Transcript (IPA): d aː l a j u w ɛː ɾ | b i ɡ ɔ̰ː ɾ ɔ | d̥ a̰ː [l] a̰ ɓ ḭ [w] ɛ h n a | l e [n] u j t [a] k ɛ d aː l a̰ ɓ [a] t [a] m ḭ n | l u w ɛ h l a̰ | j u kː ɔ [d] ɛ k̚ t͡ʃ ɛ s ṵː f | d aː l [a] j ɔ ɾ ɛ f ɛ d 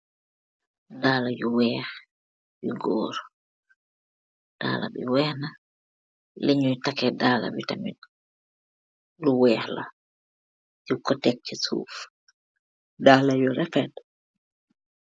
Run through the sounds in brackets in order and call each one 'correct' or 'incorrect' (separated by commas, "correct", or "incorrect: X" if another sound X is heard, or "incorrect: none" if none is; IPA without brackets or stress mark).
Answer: correct, correct, incorrect: ɲ, correct, incorrect: i, correct, incorrect: t, correct